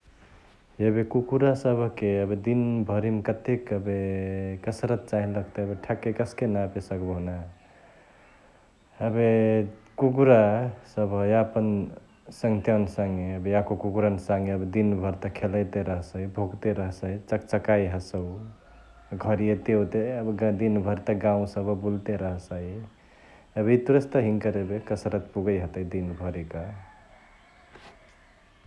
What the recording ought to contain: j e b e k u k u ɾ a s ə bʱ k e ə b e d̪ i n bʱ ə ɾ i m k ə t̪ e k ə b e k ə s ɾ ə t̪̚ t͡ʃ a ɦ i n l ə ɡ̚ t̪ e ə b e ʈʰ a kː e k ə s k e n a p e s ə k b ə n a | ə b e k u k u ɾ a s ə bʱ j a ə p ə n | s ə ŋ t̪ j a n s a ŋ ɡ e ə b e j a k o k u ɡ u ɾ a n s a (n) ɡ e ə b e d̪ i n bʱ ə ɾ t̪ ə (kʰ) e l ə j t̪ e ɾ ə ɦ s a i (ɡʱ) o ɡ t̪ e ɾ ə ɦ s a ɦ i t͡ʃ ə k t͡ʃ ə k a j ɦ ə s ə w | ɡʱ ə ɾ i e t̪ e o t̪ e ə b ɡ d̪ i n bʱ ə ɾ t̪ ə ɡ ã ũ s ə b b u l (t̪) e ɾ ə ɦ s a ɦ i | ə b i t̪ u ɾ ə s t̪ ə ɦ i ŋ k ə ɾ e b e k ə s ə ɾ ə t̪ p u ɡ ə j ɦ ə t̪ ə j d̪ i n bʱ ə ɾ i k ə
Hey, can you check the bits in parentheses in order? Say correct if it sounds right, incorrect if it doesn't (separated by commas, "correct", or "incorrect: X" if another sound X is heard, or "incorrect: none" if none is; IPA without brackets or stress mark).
incorrect: ŋ, correct, incorrect: bʱ, correct